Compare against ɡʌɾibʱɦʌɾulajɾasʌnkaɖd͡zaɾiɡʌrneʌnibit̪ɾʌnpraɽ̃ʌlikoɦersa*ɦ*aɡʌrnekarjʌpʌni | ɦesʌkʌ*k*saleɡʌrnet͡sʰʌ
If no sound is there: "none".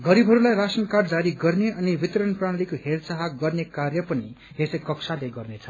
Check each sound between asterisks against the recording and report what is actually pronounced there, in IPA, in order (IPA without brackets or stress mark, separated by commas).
ɦ, k